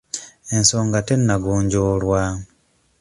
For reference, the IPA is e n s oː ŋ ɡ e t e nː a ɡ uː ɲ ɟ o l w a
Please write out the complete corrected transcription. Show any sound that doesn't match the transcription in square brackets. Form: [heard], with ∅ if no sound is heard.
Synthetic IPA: e n s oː ŋ ɡ [a] t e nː a ɡ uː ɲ ɟ o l w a